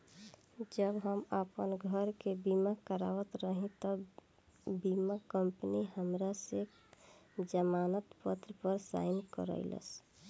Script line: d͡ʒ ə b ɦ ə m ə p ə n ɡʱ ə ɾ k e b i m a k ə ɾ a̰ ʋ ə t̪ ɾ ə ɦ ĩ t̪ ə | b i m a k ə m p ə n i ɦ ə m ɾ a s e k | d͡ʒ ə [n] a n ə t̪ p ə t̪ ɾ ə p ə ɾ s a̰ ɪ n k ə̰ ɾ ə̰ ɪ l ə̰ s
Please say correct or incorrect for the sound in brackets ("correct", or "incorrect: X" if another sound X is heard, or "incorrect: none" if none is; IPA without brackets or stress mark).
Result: incorrect: m